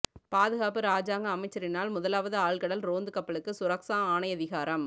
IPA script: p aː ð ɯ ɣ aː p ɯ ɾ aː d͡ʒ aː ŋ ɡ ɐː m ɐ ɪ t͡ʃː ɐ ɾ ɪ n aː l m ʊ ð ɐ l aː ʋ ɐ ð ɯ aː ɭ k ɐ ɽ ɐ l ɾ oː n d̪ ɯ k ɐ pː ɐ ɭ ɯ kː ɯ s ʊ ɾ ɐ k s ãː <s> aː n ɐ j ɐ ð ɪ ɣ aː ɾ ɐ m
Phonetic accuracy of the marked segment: incorrect: none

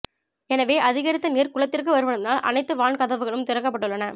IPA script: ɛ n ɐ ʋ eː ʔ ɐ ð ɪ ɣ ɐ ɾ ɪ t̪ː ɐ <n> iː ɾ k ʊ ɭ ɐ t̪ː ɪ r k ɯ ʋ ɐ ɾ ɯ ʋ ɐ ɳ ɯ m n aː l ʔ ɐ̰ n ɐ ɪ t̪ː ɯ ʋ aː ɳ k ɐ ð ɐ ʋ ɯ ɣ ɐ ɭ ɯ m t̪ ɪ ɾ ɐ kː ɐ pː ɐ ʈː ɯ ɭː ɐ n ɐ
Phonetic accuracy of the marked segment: correct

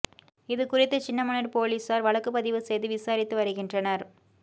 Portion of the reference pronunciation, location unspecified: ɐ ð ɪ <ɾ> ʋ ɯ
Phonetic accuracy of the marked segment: incorrect: none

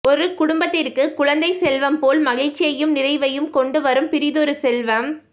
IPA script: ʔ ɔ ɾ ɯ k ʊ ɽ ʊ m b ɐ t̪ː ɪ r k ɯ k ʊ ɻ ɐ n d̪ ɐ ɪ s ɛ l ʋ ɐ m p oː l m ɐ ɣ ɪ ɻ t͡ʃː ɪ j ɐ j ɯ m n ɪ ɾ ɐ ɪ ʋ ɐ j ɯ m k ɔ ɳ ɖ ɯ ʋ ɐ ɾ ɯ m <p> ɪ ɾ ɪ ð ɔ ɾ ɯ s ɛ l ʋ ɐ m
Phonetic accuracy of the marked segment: correct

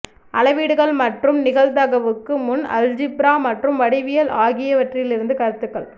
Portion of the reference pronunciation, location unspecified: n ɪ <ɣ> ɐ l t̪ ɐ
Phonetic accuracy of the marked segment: correct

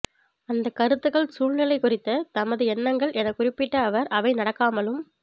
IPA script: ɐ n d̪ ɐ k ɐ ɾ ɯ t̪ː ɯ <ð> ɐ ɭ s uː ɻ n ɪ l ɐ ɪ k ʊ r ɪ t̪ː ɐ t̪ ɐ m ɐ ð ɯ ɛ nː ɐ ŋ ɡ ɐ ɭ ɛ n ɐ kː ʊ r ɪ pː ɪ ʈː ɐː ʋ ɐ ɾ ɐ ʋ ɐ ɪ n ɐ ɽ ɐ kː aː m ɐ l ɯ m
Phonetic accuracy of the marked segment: incorrect: ɣ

